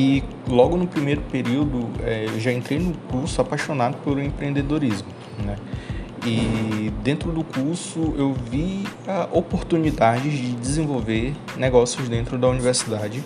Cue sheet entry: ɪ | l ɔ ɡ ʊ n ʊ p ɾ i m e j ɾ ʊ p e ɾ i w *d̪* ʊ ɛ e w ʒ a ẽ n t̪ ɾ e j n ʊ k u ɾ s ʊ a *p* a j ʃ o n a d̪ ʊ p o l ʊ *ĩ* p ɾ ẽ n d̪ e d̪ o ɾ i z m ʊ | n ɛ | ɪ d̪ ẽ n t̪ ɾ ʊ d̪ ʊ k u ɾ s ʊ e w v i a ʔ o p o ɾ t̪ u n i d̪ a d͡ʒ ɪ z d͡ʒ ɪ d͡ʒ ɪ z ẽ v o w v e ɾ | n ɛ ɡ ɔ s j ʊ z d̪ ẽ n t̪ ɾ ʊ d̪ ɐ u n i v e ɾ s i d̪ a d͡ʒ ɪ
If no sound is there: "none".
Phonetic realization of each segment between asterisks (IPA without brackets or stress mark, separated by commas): d̪, p, ẽ